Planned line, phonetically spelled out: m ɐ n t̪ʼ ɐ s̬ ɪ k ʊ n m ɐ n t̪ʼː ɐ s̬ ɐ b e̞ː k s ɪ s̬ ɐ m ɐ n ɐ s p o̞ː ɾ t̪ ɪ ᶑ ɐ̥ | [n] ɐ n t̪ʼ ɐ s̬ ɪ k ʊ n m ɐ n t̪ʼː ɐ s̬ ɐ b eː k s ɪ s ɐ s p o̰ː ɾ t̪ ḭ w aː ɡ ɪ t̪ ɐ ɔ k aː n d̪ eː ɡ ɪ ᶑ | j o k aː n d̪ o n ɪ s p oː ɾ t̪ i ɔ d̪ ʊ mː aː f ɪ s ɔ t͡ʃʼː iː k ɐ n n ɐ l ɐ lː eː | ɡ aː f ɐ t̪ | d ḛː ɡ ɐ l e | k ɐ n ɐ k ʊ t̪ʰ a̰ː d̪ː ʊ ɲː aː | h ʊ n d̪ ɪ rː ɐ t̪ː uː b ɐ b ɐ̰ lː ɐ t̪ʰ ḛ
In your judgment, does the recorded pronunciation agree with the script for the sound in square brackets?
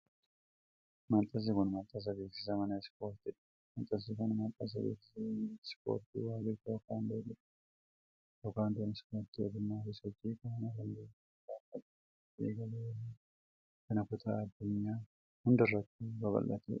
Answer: no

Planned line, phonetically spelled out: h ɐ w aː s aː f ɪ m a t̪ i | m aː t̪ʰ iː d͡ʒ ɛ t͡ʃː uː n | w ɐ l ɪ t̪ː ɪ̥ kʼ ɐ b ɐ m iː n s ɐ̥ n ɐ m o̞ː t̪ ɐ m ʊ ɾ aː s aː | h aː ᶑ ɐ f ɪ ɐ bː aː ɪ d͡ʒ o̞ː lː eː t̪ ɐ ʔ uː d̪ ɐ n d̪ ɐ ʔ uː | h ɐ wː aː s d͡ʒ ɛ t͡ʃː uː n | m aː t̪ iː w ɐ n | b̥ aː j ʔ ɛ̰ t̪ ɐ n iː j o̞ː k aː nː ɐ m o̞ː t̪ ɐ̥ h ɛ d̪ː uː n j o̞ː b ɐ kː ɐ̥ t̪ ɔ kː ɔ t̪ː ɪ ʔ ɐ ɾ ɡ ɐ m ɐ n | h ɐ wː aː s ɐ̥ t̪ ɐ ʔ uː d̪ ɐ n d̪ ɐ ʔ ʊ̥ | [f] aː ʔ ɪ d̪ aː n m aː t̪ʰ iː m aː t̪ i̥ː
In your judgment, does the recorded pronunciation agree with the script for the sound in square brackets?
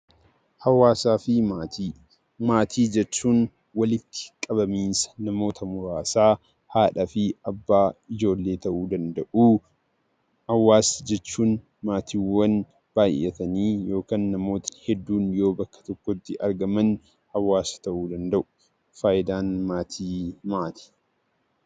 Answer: yes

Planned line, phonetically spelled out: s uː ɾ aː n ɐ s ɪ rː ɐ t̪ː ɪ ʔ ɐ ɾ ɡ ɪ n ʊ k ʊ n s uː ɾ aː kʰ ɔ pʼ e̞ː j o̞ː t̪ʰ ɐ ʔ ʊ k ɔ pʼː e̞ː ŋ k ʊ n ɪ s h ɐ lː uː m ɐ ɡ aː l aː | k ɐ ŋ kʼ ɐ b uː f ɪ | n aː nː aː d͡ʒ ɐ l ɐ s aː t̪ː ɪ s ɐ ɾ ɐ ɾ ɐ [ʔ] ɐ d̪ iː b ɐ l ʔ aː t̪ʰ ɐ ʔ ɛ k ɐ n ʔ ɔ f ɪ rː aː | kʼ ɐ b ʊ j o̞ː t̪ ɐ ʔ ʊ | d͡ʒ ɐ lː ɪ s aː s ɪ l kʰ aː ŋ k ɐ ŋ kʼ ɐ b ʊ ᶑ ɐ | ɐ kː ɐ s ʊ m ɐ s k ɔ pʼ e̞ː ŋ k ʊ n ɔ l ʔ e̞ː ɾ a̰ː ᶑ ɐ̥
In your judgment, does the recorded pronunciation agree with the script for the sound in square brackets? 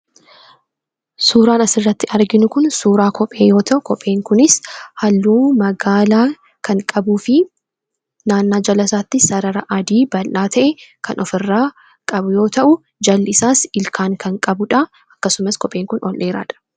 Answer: yes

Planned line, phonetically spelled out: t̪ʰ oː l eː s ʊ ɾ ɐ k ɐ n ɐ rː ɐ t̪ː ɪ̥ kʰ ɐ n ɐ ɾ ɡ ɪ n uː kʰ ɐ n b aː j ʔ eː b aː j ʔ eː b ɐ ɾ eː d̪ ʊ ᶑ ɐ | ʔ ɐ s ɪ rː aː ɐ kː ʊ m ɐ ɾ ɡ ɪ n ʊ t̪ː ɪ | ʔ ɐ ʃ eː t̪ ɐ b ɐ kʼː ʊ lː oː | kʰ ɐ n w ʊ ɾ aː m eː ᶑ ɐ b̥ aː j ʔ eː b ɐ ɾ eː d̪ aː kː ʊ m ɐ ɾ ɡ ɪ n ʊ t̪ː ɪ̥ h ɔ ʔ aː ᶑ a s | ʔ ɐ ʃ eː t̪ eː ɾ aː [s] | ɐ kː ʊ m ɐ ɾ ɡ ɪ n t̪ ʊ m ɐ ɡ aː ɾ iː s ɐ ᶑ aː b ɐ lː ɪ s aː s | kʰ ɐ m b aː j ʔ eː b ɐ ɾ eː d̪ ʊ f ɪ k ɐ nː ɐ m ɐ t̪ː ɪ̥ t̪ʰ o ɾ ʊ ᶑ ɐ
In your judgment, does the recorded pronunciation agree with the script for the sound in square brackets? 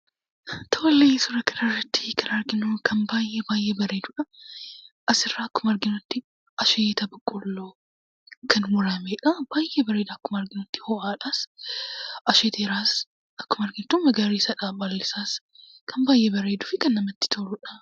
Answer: yes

